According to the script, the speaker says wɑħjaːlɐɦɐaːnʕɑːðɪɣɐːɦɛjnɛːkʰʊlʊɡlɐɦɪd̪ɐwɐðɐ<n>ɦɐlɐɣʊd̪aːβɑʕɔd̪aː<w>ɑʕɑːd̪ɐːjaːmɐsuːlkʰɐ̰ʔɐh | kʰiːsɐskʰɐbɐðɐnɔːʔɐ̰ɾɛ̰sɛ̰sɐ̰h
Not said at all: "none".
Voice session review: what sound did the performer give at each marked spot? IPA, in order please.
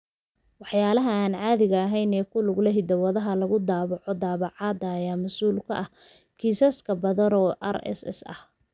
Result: none, β

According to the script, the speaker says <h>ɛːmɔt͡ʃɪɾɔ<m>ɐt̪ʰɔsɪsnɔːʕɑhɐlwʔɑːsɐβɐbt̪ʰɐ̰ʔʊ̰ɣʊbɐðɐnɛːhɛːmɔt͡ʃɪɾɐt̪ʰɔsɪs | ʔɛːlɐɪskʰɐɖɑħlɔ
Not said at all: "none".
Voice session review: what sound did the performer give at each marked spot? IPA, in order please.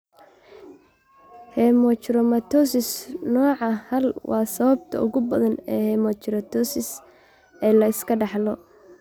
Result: h, m

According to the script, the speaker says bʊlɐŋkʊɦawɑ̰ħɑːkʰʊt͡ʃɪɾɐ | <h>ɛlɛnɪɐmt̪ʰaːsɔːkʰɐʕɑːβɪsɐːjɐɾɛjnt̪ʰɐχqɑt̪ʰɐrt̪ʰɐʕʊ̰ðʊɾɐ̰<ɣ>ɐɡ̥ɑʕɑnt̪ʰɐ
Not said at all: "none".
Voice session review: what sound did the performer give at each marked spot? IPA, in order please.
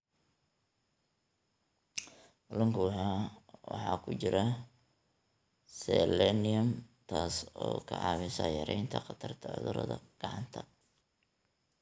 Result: s, ð

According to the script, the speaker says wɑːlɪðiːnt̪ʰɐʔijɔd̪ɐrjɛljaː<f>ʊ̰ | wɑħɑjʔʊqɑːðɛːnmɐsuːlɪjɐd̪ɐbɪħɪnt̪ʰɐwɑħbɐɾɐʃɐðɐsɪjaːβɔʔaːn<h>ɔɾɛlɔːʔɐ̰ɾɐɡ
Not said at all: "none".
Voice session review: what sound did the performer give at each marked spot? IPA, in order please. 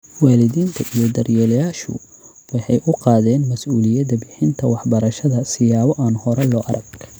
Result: ʃ, h

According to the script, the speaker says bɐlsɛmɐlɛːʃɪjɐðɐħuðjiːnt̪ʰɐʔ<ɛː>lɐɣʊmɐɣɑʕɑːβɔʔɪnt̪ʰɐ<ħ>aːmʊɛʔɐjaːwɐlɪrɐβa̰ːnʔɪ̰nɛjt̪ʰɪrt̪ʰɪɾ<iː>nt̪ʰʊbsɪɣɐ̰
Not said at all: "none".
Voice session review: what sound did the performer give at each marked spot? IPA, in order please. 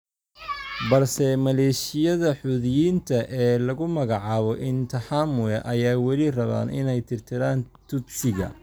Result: ɛː, ħ, aː

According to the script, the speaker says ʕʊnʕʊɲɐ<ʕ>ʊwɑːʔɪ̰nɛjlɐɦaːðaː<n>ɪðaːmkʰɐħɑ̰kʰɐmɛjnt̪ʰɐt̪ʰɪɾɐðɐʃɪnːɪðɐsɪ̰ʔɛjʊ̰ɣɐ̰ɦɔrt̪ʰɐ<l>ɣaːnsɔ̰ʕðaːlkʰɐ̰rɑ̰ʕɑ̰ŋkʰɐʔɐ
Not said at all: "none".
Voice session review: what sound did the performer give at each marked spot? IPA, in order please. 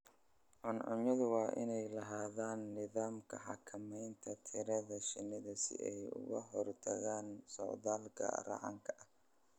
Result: ð, nː, none

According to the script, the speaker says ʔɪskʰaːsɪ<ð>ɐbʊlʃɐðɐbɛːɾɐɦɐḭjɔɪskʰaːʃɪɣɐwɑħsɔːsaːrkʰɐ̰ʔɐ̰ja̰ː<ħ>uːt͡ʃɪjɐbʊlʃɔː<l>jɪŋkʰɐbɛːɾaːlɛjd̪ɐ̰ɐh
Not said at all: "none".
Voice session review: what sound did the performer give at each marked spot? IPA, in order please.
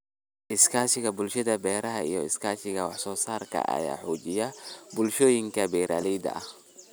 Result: ɣ, ħ, none

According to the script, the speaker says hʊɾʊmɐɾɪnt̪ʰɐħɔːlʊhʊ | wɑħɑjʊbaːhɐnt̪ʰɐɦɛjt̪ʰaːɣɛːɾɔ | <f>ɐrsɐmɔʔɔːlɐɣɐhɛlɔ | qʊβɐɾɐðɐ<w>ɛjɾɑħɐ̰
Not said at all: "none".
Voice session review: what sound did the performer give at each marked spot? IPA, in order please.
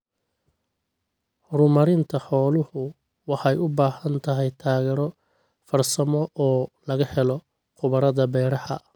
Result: f, b

